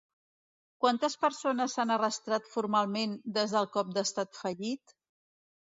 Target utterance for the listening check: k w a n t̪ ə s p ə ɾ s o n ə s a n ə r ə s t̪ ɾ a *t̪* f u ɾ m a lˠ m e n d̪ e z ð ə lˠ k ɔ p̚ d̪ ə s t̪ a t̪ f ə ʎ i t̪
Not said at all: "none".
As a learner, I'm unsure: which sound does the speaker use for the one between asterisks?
t̪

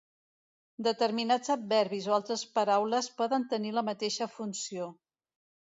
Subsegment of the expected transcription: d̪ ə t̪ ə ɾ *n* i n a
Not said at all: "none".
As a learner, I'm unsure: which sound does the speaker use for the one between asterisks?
m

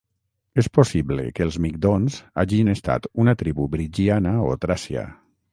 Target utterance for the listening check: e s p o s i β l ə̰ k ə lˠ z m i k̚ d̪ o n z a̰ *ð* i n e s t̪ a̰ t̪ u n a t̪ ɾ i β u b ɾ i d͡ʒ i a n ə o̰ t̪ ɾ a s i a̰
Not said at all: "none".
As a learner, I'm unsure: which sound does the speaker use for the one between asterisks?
ʒ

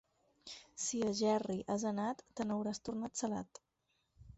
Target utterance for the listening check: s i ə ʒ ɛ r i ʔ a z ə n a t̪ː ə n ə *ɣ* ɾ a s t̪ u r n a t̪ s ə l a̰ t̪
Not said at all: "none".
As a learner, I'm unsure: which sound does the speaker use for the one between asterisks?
w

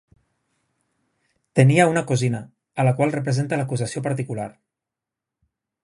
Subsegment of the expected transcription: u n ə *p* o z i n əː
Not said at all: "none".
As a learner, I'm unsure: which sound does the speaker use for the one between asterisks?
k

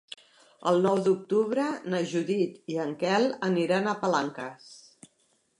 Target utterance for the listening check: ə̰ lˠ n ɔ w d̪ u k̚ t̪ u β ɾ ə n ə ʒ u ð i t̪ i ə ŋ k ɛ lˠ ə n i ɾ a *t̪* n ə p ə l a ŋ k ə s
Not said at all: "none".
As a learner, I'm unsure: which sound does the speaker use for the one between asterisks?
none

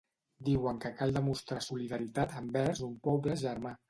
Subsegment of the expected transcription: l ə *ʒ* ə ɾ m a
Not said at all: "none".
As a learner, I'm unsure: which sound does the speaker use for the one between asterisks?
ʒ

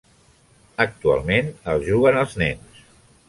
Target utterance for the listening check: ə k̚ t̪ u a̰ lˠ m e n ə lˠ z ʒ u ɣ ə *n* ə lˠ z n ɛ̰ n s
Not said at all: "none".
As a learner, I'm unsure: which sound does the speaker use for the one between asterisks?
n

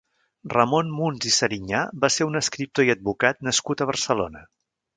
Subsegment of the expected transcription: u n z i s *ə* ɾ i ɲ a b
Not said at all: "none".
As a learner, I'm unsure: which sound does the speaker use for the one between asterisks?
ə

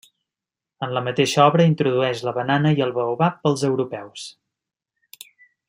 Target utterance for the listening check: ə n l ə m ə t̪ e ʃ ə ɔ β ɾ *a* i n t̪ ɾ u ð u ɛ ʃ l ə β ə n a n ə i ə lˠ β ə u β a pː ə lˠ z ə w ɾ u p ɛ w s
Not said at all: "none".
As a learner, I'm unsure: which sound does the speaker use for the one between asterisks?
ə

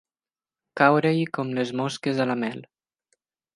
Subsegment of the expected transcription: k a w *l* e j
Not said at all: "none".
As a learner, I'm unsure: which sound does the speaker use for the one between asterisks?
ɾ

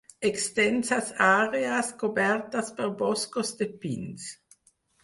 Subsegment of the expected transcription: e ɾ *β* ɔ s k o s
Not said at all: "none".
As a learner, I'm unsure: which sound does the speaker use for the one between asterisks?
b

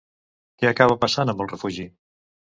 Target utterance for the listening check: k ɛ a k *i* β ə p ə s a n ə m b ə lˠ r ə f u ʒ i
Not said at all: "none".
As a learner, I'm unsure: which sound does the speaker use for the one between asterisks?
a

